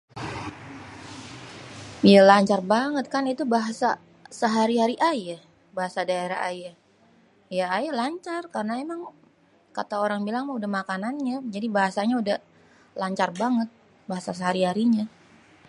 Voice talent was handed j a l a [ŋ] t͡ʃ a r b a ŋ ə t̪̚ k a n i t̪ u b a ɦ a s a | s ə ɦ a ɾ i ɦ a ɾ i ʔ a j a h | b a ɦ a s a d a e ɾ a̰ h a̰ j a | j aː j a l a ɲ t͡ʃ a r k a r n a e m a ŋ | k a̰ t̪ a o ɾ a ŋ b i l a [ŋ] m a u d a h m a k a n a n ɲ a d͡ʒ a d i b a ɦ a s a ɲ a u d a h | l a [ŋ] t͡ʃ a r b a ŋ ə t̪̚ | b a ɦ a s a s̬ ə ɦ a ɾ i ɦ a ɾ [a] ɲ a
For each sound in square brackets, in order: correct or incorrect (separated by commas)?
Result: incorrect, correct, incorrect, incorrect